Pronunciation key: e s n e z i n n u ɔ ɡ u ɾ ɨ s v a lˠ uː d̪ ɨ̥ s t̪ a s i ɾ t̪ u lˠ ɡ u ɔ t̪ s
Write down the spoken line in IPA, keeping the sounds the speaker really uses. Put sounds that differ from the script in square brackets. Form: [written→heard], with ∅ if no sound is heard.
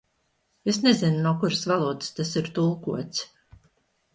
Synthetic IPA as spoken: e s n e z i n n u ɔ [ɡ→k] u ɾ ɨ s v a lˠ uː d̪ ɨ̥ s t̪ a s i ɾ t̪ u lˠ [ɡ→k] u ɔ t̪ s